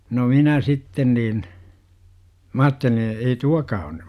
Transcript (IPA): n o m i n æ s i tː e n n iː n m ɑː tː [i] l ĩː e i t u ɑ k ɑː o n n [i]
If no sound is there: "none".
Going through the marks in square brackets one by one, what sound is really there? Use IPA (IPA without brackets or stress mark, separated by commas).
e, y